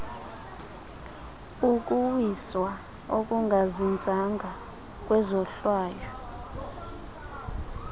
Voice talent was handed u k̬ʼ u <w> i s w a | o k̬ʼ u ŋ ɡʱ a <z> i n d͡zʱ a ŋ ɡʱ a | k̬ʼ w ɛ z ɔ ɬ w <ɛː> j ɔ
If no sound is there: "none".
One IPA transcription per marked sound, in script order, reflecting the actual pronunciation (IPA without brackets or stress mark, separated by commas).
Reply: w, z, aː